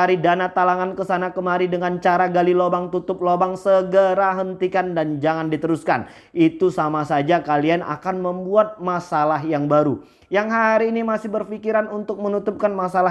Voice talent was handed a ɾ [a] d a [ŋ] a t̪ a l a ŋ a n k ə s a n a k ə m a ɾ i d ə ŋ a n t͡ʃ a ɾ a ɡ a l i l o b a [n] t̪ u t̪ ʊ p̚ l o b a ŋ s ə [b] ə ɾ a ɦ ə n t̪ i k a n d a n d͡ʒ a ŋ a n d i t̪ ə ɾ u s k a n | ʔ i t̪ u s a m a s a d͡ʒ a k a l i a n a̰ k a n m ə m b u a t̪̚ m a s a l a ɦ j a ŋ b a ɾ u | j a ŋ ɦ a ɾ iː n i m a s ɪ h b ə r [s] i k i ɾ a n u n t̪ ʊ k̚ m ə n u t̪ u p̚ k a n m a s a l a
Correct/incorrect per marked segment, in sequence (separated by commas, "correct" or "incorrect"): incorrect, incorrect, incorrect, incorrect, incorrect